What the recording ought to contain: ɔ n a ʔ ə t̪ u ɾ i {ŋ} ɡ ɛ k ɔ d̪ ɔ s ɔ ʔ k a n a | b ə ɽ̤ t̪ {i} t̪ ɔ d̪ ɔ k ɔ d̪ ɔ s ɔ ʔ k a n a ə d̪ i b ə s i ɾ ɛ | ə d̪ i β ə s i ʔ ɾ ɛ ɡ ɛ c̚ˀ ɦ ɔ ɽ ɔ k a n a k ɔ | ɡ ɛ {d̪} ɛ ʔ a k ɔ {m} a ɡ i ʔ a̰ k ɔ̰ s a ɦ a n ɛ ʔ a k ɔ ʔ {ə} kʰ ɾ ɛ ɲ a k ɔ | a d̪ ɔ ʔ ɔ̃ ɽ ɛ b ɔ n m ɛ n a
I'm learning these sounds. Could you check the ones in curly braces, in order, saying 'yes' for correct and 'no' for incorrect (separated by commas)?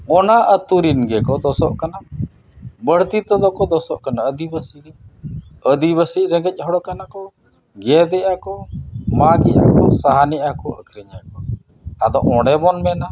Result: no, yes, yes, yes, yes